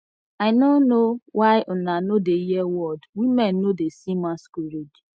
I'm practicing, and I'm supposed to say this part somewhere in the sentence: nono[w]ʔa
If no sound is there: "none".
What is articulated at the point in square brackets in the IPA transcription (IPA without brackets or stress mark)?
w